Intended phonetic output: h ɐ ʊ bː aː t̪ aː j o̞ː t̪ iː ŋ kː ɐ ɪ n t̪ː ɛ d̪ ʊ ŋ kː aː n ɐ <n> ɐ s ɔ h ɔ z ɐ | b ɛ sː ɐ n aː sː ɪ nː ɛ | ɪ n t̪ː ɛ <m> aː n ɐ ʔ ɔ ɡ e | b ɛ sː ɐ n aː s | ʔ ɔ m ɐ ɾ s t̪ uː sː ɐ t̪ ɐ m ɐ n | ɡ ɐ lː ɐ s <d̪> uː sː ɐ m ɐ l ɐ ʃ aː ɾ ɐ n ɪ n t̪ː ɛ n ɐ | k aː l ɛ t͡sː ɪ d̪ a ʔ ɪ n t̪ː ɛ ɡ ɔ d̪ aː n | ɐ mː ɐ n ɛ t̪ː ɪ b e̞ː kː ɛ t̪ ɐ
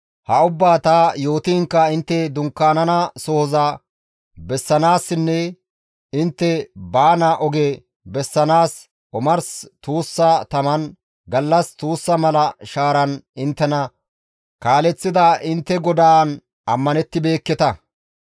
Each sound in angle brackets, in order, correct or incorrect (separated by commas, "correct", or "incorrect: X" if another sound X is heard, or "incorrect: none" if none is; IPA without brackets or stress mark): correct, incorrect: b, incorrect: t̪